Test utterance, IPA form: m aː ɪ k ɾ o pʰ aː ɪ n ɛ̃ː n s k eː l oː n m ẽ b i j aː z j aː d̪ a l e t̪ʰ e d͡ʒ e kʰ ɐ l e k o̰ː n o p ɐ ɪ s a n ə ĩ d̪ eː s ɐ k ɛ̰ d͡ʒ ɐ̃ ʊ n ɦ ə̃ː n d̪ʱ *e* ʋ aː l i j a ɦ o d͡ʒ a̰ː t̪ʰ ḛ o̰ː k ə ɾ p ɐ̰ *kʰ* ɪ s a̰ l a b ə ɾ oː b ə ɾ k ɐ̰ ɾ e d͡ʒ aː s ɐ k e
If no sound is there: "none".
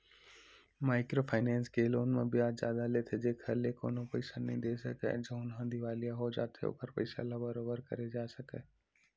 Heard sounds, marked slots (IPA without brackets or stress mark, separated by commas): i, none